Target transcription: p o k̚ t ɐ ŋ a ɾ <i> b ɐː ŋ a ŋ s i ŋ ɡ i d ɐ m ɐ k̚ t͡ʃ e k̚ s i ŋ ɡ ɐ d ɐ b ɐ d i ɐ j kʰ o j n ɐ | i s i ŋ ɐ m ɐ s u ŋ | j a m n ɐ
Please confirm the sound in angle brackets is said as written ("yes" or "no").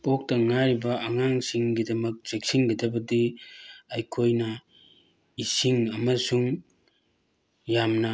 yes